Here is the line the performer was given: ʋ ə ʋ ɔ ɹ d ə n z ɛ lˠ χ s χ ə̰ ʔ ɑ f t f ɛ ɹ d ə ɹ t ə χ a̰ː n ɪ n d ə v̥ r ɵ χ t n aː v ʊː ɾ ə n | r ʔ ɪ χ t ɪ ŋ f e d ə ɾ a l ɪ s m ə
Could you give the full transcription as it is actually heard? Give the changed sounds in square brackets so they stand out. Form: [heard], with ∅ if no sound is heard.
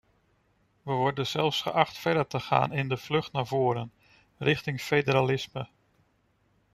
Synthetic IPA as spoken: ʋ ə ʋ ɔ ɹ d ə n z ɛ lˠ [f] s χ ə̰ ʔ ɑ [χ] t f ɛ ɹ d ə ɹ t ə χ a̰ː n ɪ n d ə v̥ [l] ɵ χ t n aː v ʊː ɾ ə n | r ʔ ɪ χ t ɪ ŋ f e d ə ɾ a l ɪ s m ə